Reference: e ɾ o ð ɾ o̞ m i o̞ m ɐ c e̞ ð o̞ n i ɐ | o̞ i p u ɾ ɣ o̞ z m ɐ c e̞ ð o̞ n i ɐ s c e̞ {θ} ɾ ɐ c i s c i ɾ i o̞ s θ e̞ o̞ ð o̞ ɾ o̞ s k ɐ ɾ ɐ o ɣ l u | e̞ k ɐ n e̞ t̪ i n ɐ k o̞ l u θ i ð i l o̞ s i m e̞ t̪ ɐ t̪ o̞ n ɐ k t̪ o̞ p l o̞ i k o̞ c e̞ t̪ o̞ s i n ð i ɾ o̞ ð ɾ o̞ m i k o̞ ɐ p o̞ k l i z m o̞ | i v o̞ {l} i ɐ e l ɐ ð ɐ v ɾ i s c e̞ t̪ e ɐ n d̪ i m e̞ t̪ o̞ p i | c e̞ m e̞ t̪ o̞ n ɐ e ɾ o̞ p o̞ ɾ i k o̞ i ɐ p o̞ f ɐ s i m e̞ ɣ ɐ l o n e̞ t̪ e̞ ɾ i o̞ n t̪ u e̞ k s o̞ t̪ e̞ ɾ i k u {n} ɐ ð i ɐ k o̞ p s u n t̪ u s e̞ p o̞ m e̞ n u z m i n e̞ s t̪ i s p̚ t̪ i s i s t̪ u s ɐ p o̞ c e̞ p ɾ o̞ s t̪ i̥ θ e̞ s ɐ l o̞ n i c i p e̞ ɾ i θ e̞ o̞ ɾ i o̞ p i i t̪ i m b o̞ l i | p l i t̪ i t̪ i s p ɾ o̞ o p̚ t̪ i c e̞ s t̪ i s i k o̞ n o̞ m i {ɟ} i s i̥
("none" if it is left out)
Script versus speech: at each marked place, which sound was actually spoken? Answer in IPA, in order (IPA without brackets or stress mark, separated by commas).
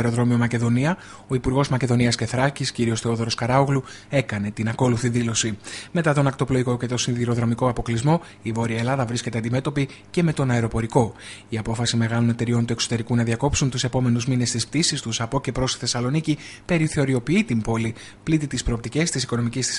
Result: θ, ɾ, n, c